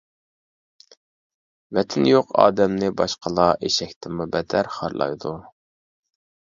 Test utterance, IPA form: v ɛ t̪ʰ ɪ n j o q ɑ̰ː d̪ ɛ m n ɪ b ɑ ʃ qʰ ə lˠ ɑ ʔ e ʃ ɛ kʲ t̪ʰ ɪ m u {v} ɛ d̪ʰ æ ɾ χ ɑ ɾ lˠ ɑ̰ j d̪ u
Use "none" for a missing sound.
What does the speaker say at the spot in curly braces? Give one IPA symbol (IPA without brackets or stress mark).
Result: b